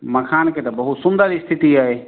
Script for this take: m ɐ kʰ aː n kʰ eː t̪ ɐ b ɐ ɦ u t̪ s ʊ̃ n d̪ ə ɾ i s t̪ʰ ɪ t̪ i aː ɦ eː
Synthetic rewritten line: m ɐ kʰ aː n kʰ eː t̪ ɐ b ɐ ɦ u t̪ s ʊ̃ n d̪ ə ɾ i s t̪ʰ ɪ t̪ i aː ɦ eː